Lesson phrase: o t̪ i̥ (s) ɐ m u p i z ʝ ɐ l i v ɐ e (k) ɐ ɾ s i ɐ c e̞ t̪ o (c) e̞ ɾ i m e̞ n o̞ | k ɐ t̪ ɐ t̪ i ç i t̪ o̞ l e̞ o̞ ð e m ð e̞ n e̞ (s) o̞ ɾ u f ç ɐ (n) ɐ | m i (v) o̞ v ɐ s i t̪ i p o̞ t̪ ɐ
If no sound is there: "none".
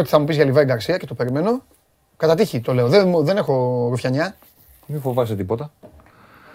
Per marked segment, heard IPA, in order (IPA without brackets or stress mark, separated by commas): θ, ɡ, p, x, ɲ, f